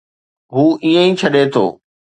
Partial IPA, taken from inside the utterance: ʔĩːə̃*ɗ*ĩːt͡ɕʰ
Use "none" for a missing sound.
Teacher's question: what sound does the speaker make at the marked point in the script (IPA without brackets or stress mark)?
none